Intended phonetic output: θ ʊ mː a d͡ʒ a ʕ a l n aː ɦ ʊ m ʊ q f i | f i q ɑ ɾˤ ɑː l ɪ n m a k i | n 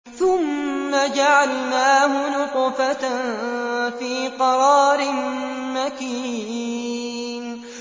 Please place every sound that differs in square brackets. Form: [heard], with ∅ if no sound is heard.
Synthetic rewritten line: θ ʊ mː a d͡ʒ a ʕ a l n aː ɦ ʊ [n] ʊ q f [a] | f [iː] q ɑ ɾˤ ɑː [ɾ] ɪ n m a k i | n